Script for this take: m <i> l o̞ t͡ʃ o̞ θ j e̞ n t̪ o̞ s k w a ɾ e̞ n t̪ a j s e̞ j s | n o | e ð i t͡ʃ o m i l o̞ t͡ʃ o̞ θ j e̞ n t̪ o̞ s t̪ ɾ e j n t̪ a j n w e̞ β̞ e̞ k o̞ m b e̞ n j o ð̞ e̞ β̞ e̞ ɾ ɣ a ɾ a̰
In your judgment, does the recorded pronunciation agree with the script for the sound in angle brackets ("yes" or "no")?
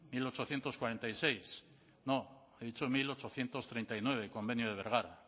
yes